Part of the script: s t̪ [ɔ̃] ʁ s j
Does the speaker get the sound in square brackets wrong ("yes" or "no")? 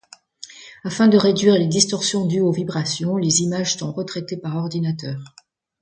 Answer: yes